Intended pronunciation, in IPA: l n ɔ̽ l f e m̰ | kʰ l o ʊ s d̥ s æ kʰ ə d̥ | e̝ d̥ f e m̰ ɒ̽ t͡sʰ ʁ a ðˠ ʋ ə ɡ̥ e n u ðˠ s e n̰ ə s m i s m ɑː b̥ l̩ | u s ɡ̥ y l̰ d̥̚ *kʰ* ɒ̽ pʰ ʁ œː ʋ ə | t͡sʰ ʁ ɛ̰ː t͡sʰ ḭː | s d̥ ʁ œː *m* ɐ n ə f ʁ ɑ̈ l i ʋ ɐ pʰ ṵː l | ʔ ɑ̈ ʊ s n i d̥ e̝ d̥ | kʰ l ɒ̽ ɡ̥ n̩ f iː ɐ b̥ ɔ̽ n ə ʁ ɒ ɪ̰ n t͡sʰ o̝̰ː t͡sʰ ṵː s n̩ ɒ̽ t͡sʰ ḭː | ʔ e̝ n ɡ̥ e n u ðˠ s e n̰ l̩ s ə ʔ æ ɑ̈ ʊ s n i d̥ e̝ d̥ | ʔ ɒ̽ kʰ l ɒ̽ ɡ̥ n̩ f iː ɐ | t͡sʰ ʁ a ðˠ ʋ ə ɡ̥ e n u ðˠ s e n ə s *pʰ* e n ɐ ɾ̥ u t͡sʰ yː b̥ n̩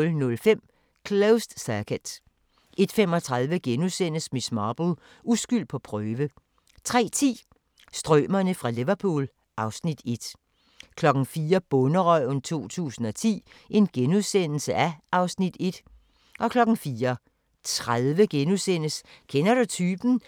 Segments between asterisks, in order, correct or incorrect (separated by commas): incorrect, correct, incorrect